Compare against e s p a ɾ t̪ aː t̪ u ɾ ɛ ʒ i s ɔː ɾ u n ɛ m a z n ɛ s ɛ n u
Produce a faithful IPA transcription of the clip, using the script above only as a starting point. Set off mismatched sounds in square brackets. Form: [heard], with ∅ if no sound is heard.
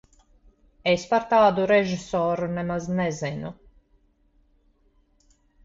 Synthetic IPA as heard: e s p a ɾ t̪ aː [d̪] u ɾ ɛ ʒ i s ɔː ɾ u n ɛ m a z n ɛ [z] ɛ n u